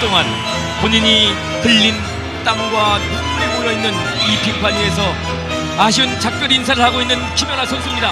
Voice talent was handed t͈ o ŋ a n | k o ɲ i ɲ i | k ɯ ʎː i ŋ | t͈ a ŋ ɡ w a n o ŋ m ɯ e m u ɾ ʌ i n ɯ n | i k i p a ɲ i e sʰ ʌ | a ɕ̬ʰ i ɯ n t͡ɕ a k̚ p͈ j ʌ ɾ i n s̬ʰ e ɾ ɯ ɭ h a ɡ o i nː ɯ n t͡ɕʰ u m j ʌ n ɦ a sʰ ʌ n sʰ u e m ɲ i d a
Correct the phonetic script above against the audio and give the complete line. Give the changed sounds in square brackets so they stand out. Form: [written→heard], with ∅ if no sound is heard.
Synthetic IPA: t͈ o ŋ a n | [k→p] o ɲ i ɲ i | k ɯ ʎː i [ŋ→n] | t͈ a ŋ ɡ w a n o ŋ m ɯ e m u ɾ ʌ i [n→nː] ɯ n | i [k→p] i [p→pʰ] a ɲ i e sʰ ʌ | a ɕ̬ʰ i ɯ n t͡ɕ a k̚ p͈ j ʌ ɾ i n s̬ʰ [e→a] ɾ ɯ ɭ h a ɡ o i nː ɯ n t͡ɕʰ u m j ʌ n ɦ a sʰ ʌ n sʰ u [e→i] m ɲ i d a